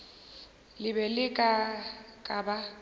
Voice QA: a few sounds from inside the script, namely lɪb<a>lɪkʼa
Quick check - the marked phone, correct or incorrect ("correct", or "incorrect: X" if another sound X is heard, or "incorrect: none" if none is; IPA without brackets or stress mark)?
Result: incorrect: ɛ